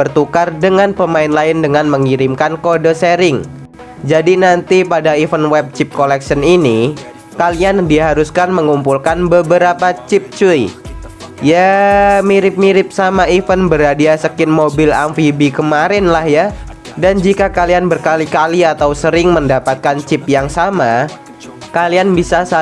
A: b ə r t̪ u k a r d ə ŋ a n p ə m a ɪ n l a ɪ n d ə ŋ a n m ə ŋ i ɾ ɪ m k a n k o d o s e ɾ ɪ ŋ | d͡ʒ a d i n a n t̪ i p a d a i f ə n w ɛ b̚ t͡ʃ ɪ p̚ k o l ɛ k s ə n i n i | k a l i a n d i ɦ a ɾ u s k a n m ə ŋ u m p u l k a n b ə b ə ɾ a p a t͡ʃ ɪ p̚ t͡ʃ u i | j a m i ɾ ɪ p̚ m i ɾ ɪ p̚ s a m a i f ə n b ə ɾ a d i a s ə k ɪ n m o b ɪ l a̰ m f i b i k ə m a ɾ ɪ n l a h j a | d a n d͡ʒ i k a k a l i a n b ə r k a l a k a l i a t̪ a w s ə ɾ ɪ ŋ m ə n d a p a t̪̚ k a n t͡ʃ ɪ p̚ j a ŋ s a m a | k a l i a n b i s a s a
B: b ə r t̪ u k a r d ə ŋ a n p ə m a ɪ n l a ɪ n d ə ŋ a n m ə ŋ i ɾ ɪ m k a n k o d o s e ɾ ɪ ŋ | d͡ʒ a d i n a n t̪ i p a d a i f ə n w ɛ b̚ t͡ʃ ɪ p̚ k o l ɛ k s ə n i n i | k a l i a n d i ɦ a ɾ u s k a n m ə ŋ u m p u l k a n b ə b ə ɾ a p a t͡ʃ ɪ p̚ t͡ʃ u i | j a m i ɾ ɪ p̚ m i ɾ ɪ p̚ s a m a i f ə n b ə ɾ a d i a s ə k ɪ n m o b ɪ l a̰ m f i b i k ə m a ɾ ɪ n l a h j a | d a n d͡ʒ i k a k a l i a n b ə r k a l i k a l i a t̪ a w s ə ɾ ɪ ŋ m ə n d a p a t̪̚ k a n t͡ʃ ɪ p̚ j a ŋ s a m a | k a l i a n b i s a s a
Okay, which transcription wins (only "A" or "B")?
B